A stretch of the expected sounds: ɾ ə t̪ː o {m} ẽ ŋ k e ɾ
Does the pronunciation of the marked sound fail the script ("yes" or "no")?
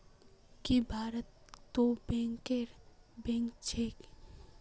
yes